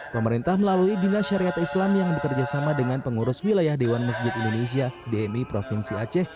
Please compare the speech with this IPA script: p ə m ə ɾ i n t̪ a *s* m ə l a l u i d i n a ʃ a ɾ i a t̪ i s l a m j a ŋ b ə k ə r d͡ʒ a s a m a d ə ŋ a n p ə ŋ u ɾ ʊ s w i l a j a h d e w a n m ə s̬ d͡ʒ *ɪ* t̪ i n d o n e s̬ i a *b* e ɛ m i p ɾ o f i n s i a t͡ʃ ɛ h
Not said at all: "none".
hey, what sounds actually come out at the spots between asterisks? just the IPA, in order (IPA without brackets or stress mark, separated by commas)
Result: h, ɪ, d